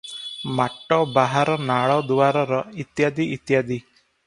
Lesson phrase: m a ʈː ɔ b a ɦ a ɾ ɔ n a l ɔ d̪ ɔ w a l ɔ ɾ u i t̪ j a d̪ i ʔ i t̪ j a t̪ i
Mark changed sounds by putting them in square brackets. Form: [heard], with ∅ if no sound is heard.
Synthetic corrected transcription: m a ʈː ɔ b a ɦ a ɾ ɔ n a [ɭ] ɔ d̪ [u] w a [ɾ] ɔ ɾ [ɔ] i t̪ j a d̪ i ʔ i t̪ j a [d̪] i